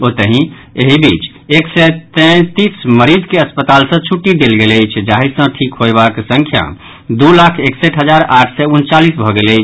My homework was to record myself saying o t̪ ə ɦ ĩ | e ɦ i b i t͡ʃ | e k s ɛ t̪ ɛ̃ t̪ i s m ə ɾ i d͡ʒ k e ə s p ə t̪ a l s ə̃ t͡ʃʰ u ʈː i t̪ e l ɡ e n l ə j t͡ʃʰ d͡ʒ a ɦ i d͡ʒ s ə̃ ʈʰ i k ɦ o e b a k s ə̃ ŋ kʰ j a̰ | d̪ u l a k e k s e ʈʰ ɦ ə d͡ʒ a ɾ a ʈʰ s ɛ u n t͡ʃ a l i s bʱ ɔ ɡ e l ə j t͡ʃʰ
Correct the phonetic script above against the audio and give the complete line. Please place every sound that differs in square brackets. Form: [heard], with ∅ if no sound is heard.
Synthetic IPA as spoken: o t̪ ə ɦ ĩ | e ɦ i b i t͡ʃ | e k s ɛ t̪ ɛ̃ t̪ i s m ə ɾ i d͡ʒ k e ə s p ə t̪ a l s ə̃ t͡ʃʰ u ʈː i [d̪] e l ɡ e [∅] l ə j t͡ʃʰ d͡ʒ a ɦ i [∅] s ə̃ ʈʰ i k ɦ o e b a k s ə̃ ŋ kʰ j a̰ | d̪ u l a [kʰ] e k s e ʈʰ ɦ ə d͡ʒ a ɾ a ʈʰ s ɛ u n t͡ʃ a l i s bʱ ɔ ɡ e l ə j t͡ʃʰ